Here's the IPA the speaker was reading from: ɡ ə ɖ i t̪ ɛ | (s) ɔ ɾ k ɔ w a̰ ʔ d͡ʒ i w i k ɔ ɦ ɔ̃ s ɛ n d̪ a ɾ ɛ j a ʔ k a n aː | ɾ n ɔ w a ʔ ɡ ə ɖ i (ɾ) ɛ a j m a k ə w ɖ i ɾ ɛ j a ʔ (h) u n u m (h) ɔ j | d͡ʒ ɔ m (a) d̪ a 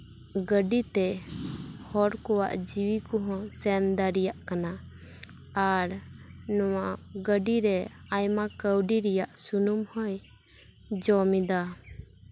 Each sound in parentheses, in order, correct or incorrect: incorrect, correct, incorrect, correct, incorrect

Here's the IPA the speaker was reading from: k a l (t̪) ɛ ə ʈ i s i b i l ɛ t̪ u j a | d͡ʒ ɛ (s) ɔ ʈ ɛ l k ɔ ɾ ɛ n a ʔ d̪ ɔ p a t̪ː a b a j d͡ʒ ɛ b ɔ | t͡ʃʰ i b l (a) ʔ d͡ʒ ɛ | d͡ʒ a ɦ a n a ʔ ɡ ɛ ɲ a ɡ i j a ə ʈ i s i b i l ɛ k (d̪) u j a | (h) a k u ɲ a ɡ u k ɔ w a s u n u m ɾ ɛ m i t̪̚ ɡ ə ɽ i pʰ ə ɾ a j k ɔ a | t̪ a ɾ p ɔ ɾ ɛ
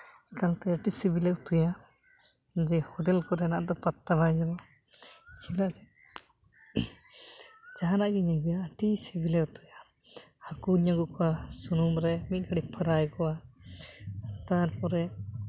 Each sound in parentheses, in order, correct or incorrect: correct, incorrect, correct, incorrect, correct

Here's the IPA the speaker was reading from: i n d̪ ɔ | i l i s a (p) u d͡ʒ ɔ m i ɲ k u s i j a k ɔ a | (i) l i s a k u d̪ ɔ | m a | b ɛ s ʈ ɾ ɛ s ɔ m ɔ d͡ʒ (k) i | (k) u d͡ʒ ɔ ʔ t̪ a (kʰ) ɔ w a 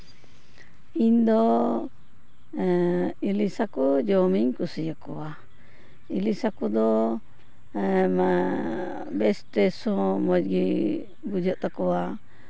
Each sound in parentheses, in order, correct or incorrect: incorrect, correct, incorrect, incorrect, incorrect

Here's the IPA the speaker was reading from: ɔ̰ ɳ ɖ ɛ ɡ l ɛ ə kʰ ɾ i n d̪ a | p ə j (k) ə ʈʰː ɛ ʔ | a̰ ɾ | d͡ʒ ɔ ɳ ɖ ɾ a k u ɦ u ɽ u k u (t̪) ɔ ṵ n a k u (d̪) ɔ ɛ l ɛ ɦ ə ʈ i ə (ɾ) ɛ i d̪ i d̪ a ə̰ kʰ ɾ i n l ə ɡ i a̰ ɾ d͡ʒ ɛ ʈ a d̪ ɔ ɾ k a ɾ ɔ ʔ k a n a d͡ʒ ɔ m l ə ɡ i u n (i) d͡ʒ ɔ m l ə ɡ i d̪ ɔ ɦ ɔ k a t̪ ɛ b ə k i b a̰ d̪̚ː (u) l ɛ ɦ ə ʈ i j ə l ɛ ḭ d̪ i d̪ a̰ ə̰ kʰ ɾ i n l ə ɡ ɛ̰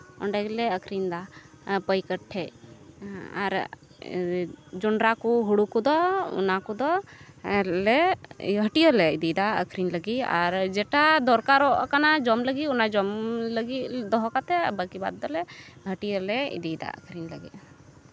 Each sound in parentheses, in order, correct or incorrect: correct, incorrect, correct, incorrect, incorrect, incorrect

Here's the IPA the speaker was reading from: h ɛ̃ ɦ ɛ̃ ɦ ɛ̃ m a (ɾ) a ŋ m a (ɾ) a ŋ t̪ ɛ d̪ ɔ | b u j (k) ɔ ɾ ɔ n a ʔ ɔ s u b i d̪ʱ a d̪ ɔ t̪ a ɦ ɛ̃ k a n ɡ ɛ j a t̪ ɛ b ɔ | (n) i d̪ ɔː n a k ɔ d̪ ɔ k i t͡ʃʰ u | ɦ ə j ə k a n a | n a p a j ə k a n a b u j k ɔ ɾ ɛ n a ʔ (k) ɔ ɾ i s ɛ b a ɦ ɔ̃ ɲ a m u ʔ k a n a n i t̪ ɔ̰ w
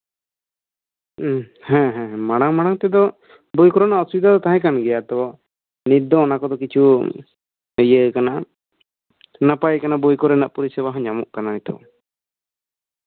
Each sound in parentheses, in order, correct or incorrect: incorrect, incorrect, correct, correct, incorrect

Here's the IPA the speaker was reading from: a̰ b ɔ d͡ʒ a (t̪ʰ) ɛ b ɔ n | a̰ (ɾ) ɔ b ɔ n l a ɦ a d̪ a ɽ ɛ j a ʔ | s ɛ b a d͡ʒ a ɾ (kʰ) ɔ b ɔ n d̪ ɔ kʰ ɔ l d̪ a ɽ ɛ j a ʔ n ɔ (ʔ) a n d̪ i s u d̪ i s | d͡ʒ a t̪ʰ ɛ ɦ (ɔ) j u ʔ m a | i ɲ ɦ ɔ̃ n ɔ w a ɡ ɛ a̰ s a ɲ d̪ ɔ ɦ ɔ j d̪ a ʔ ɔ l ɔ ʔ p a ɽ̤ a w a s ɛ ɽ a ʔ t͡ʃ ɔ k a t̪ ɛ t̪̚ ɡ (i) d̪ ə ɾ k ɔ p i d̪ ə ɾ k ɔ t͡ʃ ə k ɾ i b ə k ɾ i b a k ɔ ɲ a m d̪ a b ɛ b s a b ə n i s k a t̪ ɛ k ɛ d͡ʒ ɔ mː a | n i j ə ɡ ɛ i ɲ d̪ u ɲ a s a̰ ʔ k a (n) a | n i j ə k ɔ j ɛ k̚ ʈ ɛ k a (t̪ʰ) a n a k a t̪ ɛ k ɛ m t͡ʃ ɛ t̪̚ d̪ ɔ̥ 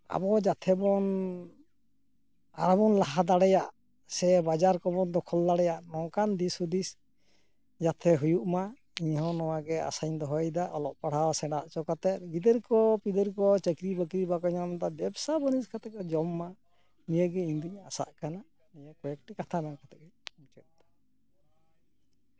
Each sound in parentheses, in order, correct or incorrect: correct, correct, incorrect, incorrect, incorrect, correct, correct, correct

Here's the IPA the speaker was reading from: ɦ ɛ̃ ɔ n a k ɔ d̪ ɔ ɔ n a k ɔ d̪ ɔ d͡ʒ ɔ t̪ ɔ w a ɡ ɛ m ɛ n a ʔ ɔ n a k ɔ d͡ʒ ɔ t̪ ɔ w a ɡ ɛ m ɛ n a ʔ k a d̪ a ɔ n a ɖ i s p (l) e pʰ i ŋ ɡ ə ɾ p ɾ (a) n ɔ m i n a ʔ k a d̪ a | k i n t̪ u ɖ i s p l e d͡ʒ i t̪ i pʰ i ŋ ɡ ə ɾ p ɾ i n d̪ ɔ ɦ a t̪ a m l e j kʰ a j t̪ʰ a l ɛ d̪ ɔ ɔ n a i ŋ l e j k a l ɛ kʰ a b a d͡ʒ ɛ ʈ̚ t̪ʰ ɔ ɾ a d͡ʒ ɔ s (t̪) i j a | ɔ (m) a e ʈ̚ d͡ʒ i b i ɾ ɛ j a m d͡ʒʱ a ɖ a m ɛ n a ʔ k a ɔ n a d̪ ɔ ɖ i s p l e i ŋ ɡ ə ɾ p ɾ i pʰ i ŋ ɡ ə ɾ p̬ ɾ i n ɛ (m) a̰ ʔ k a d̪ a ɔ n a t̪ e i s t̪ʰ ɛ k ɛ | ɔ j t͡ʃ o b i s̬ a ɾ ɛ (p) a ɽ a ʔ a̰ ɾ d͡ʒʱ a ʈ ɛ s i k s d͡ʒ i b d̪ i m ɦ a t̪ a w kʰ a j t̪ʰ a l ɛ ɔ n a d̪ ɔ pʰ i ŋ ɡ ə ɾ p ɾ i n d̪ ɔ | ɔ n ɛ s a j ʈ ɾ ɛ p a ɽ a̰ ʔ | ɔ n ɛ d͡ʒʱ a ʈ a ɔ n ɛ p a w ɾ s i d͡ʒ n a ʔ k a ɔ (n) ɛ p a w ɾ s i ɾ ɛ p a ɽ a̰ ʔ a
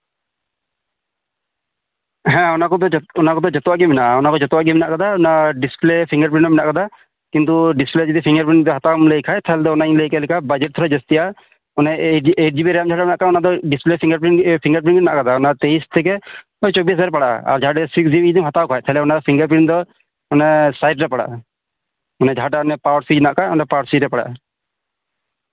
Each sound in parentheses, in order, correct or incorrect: correct, incorrect, correct, incorrect, incorrect, correct, correct

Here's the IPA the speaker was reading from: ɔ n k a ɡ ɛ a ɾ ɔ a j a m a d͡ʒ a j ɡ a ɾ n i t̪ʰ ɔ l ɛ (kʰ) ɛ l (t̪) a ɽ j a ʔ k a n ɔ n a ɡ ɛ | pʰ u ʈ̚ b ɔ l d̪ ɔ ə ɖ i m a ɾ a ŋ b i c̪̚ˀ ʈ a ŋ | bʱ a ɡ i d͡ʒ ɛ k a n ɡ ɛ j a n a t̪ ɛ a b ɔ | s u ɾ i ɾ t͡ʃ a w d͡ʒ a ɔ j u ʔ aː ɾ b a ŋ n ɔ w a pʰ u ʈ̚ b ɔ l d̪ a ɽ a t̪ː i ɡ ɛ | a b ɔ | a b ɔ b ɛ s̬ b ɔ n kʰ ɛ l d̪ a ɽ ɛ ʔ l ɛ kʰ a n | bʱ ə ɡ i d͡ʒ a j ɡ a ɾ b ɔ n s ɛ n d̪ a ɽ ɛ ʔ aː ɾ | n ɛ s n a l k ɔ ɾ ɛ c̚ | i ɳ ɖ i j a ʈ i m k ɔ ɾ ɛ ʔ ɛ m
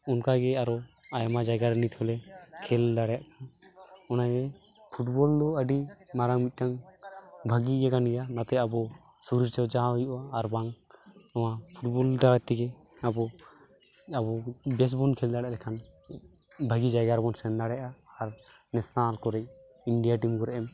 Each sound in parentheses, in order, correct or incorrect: correct, incorrect

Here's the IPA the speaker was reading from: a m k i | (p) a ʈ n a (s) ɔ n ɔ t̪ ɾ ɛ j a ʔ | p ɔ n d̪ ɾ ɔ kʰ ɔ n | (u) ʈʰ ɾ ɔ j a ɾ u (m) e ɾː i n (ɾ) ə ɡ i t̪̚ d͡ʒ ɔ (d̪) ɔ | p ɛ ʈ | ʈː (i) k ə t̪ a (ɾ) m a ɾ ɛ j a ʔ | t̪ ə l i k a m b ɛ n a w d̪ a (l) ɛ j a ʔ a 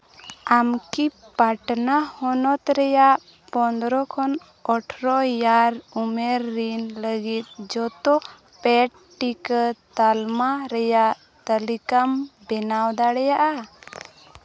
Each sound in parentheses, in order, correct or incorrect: correct, incorrect, incorrect, correct, incorrect, incorrect, correct, incorrect, incorrect

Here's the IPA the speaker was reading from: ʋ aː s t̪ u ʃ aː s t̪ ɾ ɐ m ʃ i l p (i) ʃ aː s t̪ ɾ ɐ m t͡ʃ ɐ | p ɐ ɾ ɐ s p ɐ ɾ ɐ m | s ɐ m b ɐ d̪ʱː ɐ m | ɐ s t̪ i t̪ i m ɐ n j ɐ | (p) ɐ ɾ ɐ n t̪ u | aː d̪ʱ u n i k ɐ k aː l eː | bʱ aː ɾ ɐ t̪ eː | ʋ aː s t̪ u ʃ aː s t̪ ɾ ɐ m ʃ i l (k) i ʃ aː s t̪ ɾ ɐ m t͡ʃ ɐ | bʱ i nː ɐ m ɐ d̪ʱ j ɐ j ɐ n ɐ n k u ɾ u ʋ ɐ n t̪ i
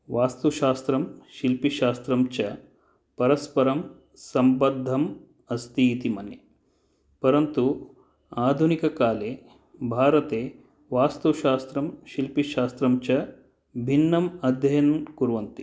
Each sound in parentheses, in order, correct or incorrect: correct, correct, incorrect

